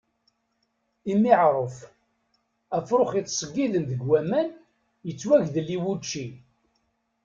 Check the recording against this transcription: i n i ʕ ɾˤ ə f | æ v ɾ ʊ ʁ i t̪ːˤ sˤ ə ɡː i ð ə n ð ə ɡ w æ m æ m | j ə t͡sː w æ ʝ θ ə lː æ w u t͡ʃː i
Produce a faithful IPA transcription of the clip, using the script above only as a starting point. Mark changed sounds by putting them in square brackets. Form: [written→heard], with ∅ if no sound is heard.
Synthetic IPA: i [n→m] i ʕ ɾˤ ə f | æ [v→f] ɾ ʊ [ʁ→χ] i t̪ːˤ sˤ ə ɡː i ð ə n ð ə ɡ w æ m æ [m→n] | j ə t͡sː w æ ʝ [θ→ð] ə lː [æ→i] w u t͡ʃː i